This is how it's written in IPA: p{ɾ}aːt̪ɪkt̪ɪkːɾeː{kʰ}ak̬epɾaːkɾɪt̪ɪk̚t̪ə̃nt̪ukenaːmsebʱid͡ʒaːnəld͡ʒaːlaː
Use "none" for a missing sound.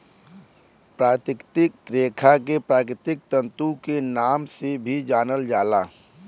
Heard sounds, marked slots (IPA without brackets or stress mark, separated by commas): ɾ, kʰ